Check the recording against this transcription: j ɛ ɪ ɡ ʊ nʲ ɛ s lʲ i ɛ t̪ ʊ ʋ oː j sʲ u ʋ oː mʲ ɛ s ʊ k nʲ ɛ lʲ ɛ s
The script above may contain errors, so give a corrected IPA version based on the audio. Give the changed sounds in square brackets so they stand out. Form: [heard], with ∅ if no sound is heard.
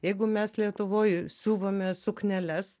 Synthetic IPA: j ɛ ɪ ɡ ʊ [mʲ] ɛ s lʲ i ɛ t̪ ʊ ʋ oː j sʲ [uː] ʋ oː mʲ ɛ s ʊ k nʲ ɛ lʲ ɛ s